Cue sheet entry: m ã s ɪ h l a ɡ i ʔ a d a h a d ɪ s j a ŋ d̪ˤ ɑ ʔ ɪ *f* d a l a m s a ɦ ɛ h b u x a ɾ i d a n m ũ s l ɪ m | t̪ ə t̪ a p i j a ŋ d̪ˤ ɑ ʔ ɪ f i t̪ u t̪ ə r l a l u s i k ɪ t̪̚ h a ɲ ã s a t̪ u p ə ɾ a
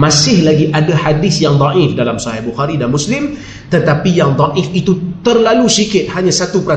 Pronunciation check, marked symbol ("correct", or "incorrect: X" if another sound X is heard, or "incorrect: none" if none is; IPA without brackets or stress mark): correct